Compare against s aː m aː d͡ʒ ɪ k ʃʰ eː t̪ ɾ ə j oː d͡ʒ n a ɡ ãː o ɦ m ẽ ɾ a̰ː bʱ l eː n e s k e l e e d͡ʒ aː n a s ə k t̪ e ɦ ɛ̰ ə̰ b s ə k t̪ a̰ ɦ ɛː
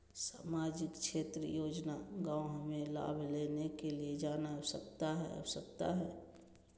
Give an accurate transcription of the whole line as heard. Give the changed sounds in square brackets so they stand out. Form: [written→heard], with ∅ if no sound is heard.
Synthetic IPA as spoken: s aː m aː d͡ʒ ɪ k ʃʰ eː t̪ ɾ ə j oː d͡ʒ n a ɡ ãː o ɦ m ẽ [ɾ→l] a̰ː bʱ l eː n e [s→∅] k e l [e→i] e d͡ʒ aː n a s ə k t̪ [e→a] ɦ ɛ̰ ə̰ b s ə k t̪ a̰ ɦ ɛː